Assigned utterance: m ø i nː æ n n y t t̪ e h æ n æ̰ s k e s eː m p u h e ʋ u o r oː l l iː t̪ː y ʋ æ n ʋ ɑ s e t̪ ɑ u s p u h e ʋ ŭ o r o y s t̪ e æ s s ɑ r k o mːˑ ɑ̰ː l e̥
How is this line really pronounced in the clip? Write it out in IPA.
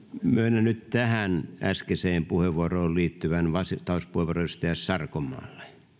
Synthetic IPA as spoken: m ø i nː æ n n y t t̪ æ h æ n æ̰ s k e s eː m p u h e ʋ u o r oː l l iː t̪ː y ʋ æ n ʋ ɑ s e t̪ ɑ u s p u h e ʋ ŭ o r o y s t̪ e æ s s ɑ r k o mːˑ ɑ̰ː lː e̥